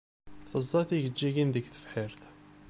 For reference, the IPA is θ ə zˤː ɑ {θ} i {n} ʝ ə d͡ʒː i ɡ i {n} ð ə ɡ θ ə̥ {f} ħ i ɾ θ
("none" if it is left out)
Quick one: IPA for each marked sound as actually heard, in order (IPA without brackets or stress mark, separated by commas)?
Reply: θ, none, n, f